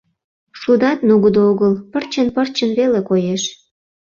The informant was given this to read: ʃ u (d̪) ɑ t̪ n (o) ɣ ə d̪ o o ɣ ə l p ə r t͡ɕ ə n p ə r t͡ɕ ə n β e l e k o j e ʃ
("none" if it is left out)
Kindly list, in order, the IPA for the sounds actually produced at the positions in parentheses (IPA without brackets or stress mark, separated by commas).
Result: d̪, u